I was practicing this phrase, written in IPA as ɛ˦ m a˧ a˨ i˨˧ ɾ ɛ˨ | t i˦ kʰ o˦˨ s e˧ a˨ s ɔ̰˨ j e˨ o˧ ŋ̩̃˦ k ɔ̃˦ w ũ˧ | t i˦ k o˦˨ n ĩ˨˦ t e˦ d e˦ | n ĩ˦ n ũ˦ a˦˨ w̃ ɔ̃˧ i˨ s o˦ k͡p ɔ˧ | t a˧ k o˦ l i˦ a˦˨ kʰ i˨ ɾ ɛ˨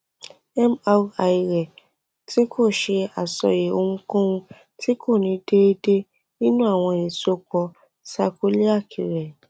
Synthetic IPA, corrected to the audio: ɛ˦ m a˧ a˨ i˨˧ ɾ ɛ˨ | t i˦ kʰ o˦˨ ʃ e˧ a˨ s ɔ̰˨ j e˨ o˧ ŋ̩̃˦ k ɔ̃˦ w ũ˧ | t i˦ k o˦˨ n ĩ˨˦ d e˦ d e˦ | n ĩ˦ n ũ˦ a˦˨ w̃ ɔ̃˧ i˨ s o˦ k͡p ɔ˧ | s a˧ k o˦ l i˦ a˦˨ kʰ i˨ ɾ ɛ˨